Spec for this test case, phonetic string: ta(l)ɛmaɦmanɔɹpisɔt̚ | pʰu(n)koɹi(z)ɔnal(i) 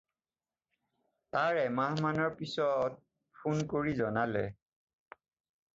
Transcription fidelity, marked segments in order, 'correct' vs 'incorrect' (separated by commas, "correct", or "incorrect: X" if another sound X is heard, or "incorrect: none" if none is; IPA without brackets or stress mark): incorrect: ɹ, correct, correct, incorrect: ɛ